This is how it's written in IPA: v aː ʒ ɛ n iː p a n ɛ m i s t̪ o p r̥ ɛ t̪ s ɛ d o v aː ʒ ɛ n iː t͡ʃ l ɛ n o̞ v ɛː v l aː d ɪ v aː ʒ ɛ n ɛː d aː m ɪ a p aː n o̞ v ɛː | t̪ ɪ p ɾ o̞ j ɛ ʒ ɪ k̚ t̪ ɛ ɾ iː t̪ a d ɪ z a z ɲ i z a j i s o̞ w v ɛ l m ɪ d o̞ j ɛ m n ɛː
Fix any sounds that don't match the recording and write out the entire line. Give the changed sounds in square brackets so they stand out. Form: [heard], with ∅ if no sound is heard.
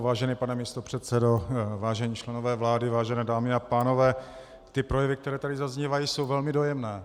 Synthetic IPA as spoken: v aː ʒ ɛ n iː p a n ɛ m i s t̪ o p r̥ ɛ t̪ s ɛ d o v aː ʒ ɛ [ɲ] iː t͡ʃ l ɛ n o̞ v ɛː v l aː d ɪ v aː ʒ ɛ n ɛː d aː m ɪ a p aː n o̞ v ɛː | t̪ ɪ p ɾ o̞ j ɛ [v] ɪ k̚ t̪ ɛ ɾ [ɛː] t̪ a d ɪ z a z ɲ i [v] a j i s o̞ w v ɛ l m ɪ d o̞ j ɛ m n ɛː